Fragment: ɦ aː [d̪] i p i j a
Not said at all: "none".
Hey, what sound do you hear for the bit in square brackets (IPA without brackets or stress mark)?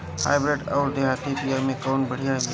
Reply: t̪